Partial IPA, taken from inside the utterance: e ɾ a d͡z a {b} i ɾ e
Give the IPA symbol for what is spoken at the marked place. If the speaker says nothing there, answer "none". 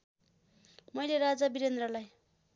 b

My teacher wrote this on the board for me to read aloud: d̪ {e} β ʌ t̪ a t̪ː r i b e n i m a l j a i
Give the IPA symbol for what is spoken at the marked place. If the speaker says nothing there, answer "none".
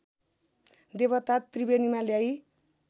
e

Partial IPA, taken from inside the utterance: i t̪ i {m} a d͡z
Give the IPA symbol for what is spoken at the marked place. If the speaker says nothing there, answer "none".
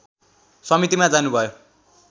m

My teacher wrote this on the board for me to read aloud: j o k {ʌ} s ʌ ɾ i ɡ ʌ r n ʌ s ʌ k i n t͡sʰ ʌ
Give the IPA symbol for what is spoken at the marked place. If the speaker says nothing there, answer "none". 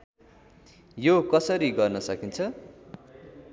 ʌ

